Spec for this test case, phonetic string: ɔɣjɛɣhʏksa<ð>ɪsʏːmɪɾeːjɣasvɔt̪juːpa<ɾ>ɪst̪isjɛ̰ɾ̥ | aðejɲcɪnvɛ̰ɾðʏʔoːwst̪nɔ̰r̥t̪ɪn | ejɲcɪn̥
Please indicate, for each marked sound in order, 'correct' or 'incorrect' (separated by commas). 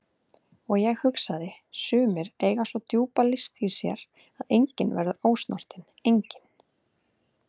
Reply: correct, incorrect